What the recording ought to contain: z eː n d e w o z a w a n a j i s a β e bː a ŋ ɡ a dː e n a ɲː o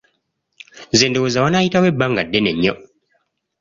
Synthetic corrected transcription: z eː n d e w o z a w a n a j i t a w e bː a ŋ ɡ a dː e n e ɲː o